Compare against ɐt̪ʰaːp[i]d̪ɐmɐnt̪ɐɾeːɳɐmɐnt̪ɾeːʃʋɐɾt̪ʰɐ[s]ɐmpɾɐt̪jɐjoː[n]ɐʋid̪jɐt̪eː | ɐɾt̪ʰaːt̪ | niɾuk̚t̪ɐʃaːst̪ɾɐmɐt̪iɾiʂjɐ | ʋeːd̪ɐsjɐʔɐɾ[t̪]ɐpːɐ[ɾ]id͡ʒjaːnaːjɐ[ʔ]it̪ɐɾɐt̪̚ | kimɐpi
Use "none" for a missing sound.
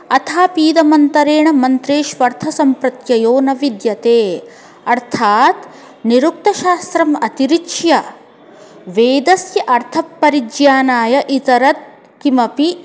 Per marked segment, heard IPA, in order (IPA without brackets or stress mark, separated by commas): iː, s, n, t̪ʰ, ɾ, ʔ